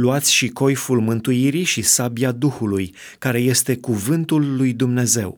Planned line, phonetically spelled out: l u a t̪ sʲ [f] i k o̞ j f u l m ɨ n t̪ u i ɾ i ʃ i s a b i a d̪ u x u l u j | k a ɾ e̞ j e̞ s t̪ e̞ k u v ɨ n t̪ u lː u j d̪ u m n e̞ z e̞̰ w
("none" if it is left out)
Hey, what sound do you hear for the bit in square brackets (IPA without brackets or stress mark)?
ʃ